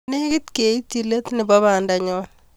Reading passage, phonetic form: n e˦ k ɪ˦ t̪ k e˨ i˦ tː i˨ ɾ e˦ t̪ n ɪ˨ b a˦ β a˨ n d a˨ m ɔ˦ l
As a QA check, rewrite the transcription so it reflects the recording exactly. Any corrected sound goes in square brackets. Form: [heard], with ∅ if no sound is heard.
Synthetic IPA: n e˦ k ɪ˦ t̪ k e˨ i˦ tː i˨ [l] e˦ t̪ n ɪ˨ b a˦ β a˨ n d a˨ [ɲ] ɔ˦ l